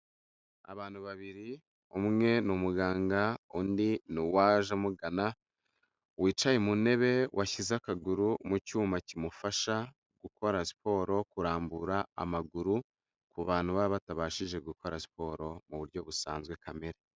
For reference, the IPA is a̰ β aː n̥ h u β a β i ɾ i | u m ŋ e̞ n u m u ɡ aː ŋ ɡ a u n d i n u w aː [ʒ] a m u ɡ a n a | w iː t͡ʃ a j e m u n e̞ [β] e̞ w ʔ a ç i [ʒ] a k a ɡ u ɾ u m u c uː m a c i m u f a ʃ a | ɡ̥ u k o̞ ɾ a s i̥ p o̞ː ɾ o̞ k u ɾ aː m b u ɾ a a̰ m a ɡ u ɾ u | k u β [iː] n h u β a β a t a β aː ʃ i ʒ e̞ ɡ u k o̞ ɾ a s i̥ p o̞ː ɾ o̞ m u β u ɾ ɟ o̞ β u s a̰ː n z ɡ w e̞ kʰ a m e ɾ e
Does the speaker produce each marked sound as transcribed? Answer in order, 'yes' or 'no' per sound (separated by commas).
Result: yes, yes, no, no